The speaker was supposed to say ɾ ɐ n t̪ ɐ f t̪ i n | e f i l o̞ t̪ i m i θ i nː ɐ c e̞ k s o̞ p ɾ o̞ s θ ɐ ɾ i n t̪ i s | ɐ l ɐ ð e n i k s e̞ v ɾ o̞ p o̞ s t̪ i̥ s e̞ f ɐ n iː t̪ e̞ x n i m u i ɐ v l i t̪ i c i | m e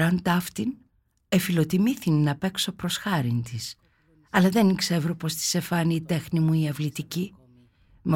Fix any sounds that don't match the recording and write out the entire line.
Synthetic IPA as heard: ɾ ɐ n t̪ ɐ f t̪ i n | e f i l o̞ t̪ i m i θ i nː ɐ p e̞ k s o̞ p ɾ o̞ s x ɐ ɾ i n t̪ i s | ɐ l ɐ ð e n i k s e̞ v ɾ o̞ p o̞ s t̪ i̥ s e̞ f ɐ n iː t̪ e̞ x n i m u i ɐ v l i t̪ i c i | m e